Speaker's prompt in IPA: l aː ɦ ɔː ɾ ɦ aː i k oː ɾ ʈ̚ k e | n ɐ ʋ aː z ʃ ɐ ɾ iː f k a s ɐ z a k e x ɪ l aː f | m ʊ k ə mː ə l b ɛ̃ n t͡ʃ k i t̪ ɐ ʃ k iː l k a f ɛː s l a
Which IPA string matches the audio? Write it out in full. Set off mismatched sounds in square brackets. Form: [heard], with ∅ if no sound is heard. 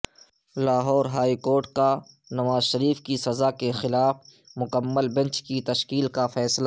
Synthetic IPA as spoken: l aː ɦ ɔː ɾ ɦ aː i k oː ɾ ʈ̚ k [a] | n ɐ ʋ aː z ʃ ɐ ɾ iː f k [i] s ɐ z a k e x ɪ l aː f | m ʊ k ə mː ə l b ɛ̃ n t͡ʃ k i t̪ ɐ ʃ k iː l k a f ɛː s l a